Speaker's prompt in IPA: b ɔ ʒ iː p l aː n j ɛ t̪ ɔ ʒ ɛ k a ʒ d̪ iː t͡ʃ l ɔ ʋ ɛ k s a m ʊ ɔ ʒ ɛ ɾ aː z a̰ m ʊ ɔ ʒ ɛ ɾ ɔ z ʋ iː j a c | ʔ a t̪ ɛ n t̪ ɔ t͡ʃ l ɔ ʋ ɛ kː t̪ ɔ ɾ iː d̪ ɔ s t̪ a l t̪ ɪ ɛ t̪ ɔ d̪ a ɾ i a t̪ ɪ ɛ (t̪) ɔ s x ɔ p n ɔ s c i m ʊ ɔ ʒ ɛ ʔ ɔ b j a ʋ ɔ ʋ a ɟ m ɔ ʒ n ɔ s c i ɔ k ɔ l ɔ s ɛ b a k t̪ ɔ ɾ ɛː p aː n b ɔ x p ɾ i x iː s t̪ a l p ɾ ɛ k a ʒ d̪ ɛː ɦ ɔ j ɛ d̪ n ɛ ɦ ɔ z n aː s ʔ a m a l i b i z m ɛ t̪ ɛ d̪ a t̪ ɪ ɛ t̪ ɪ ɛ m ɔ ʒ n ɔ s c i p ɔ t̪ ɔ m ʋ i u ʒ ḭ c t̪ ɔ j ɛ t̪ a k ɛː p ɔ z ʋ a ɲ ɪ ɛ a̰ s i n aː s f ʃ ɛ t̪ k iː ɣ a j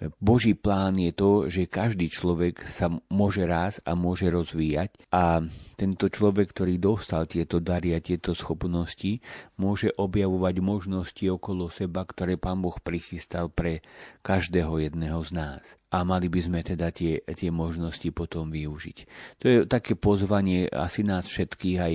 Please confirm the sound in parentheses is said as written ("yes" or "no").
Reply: yes